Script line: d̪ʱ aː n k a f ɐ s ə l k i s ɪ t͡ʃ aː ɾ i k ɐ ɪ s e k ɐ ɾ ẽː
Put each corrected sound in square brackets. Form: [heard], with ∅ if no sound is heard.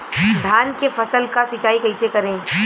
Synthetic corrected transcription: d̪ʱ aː n k [e] f ɐ s ə l k [a] s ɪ t͡ʃ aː [∅] i k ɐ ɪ s e k ɐ ɾ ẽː